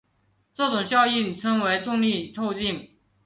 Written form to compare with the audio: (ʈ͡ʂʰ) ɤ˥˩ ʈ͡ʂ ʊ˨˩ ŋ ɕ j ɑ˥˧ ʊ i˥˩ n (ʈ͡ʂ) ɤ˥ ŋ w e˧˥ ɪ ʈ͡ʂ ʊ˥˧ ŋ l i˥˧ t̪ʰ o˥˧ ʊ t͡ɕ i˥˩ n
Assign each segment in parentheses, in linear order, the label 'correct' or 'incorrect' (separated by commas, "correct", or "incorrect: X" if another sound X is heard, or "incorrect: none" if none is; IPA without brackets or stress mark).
incorrect: ʈ͡ʂ, incorrect: ʈ͡ʂʰ